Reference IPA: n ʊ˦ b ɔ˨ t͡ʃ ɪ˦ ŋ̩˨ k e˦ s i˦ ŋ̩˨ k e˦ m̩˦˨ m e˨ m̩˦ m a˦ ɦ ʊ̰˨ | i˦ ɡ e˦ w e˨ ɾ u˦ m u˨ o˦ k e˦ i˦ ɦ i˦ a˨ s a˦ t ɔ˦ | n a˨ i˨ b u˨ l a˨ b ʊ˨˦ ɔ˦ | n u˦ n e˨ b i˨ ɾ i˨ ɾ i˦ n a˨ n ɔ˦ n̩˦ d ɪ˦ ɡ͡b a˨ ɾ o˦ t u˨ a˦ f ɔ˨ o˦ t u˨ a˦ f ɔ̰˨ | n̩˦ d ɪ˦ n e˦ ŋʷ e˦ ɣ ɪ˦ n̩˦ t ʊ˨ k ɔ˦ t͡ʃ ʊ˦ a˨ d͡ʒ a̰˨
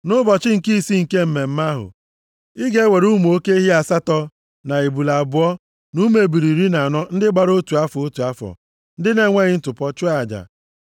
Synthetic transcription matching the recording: n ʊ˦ b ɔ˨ t͡ʃ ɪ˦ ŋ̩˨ k i˦ s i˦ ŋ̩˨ k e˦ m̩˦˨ m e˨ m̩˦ m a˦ ɦ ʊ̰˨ | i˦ ɡ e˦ w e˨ ɾ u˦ m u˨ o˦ k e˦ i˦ ɦ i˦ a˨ s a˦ t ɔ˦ | n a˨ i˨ b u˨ l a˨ b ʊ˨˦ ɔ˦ | n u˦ m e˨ b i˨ ɾ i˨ ɾ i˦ n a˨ n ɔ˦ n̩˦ d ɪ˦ ɡ͡b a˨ ɾ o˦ t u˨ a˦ f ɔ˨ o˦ t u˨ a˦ f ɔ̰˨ | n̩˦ d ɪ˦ n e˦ ŋʷ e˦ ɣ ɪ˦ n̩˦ t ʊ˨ p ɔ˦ t͡ʃ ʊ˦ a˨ d͡ʒ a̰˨